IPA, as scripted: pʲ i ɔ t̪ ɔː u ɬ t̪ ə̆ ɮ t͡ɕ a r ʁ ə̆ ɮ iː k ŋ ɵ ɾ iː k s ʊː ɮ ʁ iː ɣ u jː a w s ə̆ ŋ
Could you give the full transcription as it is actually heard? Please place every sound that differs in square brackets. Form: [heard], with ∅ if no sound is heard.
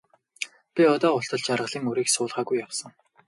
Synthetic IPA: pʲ i ɔ t̪ ɔː [ʊ] ɬ t̪ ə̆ ɮ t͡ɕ a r ʁ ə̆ ɮ iː [∅] ŋ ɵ ɾ iː k s ʊː ɮ ʁ [aː] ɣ u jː a w s ə̆ ŋ